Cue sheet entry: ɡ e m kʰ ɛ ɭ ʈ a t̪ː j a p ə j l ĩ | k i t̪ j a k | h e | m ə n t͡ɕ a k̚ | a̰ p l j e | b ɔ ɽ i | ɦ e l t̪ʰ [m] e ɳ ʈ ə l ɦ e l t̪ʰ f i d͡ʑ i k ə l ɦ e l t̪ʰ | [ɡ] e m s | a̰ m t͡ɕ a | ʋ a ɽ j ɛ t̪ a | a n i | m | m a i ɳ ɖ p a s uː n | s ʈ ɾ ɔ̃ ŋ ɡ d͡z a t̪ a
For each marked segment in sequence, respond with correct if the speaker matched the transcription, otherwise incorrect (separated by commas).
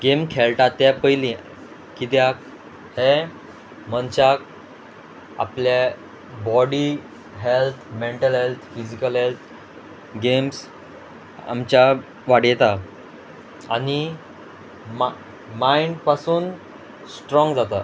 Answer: correct, correct